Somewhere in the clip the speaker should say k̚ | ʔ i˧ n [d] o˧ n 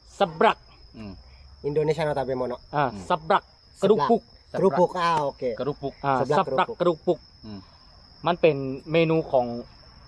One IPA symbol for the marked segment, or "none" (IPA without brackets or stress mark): d